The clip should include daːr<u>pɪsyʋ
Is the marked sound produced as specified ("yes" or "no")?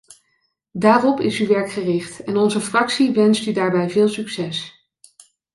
no